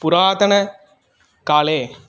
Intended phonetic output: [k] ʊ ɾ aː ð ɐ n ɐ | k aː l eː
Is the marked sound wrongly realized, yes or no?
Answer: yes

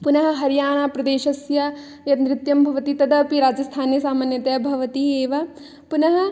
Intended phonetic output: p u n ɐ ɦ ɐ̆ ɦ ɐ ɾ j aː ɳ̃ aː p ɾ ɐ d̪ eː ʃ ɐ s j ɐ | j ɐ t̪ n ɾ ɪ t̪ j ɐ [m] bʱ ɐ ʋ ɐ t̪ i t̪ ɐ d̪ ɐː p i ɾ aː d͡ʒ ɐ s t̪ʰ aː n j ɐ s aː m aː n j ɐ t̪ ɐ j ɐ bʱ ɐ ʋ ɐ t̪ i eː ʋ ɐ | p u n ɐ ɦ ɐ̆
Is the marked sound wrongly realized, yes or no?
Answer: no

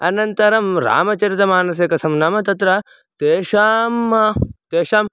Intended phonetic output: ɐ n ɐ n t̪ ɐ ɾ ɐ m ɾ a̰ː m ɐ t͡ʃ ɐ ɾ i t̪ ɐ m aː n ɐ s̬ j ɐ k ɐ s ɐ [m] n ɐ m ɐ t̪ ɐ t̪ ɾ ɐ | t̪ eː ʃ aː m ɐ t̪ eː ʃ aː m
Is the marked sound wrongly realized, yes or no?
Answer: no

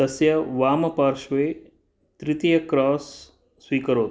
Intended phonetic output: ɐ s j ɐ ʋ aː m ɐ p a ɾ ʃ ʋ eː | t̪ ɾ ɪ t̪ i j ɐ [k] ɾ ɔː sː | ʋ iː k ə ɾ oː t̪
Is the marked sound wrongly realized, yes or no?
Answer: no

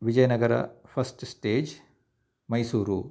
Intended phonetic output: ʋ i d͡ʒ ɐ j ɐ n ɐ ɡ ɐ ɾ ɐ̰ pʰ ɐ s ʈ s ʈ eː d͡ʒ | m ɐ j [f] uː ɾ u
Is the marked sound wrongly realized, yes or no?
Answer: yes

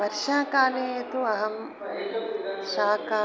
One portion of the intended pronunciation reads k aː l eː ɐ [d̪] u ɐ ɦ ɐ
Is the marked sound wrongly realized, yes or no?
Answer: yes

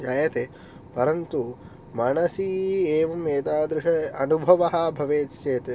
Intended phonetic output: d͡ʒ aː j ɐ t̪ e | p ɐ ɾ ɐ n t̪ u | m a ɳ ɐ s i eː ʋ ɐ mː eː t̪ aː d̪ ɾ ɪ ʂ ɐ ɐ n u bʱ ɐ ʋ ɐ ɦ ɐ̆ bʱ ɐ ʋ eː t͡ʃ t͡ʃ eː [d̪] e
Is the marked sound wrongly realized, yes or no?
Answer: yes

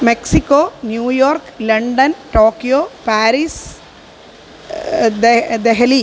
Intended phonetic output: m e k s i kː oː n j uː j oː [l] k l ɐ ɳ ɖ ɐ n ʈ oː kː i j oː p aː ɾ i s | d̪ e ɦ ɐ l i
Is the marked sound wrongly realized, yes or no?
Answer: yes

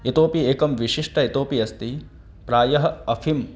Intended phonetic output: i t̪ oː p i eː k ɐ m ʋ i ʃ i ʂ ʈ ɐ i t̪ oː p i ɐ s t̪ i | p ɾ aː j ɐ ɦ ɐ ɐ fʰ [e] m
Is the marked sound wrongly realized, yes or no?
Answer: yes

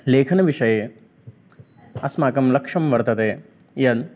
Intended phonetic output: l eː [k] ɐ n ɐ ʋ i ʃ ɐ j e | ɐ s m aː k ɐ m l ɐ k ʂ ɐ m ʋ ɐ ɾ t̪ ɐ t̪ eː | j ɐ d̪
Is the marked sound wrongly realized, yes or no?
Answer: yes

